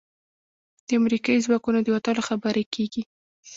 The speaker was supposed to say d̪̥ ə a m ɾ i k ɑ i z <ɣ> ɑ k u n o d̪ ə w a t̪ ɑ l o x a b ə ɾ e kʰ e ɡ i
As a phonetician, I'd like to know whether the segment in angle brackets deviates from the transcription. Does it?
yes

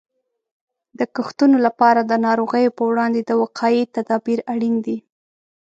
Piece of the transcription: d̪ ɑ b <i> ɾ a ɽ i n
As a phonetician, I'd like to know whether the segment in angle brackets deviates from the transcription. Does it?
no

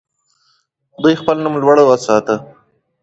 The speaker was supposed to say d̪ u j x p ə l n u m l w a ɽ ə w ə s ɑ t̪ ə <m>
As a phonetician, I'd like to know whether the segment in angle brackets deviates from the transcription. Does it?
yes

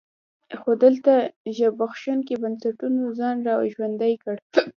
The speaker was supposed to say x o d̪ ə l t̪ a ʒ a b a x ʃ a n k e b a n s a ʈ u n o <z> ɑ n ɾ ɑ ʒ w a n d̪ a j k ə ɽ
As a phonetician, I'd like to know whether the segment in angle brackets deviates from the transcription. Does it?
no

